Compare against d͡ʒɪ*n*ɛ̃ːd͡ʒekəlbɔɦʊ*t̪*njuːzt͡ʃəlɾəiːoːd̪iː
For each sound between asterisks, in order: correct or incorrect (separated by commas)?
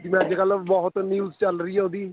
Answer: incorrect, correct